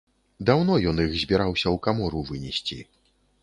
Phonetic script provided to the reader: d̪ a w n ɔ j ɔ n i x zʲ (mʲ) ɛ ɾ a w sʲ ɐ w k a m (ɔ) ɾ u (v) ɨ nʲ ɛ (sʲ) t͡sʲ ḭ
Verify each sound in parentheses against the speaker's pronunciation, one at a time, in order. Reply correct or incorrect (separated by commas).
incorrect, correct, correct, correct